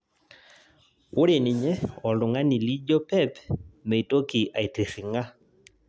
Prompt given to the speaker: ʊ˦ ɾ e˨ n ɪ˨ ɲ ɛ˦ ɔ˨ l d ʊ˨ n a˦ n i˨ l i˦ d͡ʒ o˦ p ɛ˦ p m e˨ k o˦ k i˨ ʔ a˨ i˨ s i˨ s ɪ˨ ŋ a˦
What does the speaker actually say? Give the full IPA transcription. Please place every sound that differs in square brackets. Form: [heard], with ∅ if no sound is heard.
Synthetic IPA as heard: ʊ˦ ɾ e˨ n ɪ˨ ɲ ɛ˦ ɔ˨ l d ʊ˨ [ŋ] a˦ n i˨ l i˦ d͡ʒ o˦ p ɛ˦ p m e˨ [t] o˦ k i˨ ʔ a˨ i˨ [t] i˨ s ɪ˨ ŋ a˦

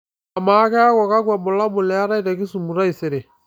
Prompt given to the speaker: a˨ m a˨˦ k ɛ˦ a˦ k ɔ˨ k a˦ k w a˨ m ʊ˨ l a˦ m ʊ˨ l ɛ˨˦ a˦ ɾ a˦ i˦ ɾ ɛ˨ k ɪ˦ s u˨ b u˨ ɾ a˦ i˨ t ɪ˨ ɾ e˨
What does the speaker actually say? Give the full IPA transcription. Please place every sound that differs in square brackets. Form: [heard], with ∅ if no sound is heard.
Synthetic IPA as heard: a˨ m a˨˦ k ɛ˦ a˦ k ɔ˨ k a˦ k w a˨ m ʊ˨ l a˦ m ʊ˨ l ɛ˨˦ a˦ ɾ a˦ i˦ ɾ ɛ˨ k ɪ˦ s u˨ [m] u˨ ɾ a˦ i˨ [s] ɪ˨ ɾ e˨

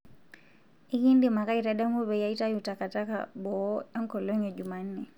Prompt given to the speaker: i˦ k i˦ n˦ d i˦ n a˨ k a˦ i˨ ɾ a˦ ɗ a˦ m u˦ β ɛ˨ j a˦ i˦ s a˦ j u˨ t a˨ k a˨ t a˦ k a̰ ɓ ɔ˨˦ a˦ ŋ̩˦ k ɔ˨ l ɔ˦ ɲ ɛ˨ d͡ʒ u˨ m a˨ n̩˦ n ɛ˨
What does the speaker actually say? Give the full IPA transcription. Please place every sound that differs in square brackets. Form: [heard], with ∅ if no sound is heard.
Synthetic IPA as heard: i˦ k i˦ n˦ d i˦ [m] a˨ k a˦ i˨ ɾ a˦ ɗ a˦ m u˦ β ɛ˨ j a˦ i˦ [t] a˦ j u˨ t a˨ k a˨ t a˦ k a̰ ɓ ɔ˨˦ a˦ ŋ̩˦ k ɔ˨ l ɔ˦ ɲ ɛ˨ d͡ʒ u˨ m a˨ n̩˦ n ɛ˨

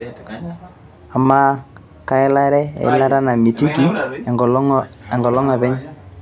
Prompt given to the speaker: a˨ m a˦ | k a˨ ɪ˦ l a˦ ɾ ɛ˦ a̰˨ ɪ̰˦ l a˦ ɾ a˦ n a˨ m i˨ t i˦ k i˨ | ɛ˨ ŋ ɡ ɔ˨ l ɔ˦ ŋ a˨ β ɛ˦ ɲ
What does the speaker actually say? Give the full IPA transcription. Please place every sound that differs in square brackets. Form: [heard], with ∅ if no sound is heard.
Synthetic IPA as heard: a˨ m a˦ | k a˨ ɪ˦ l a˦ ɾ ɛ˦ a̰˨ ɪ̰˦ l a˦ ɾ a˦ n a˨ m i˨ t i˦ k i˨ | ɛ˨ ŋ ɡ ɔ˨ l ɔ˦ ŋ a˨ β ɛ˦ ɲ

